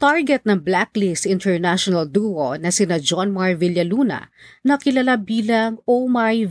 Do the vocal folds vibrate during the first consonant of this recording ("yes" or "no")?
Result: no